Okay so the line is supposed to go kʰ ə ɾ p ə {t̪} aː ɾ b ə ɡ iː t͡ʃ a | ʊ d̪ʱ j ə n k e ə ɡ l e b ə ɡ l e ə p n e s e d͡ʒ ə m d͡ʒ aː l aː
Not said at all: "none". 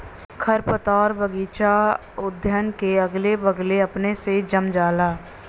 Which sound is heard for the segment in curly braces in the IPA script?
t̪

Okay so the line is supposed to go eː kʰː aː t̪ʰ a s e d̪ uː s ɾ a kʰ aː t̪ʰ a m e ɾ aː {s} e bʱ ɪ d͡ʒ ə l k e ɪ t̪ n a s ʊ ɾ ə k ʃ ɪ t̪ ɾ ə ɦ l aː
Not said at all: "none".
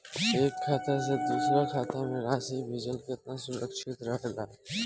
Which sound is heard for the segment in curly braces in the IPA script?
s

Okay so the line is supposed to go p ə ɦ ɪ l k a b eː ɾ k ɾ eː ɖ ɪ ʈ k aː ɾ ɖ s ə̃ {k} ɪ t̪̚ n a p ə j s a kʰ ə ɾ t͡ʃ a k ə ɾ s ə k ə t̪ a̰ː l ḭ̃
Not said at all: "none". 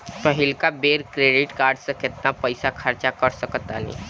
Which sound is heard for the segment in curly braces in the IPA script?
k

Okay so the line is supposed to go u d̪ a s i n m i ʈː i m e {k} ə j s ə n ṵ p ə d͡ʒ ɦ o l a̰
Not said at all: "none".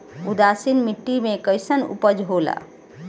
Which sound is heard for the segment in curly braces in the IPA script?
k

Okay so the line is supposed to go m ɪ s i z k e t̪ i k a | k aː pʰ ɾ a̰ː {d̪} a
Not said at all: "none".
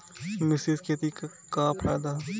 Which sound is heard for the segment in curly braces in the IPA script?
d̪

